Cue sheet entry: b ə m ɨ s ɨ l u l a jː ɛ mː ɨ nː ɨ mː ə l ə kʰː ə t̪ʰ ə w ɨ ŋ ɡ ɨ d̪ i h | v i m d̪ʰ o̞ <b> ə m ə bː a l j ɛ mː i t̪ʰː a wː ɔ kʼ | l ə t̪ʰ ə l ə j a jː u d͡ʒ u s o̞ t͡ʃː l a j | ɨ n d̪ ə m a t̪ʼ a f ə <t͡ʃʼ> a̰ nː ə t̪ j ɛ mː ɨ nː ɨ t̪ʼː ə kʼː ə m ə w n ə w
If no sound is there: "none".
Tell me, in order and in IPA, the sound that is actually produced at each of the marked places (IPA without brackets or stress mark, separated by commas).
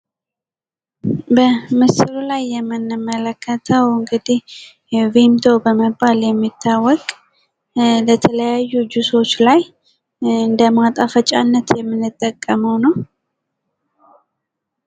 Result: b, t͡ʃʼ